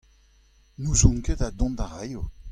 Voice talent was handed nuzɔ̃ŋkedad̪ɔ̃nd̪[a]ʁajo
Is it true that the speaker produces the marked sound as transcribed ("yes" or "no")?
yes